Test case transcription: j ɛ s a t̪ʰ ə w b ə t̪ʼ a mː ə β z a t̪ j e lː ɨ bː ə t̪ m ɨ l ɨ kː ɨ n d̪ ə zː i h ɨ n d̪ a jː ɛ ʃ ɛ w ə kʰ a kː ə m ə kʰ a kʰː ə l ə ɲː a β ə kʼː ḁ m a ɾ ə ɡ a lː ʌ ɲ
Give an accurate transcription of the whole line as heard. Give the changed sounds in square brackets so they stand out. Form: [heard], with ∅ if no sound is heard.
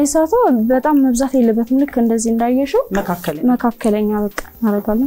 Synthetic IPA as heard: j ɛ s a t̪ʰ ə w b ə t̪ʼ a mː ə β z a t̪ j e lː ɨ bː ə t̪ m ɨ l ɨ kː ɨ n d̪ ə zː i h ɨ n d̪ a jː ɛ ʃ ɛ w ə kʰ a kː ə m ə kʰ a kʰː ə l ə ɲː a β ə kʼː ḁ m a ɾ ə ɡ a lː [ə] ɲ